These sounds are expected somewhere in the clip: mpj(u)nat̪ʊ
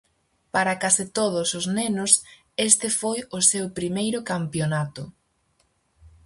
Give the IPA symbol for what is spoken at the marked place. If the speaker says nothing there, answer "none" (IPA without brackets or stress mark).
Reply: o